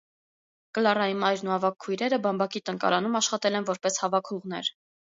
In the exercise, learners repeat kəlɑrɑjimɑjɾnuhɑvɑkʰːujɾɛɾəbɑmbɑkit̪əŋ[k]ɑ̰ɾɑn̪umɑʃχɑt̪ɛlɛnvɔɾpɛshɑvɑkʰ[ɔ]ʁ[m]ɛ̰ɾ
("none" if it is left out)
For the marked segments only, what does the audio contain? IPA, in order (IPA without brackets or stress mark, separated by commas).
k, u, n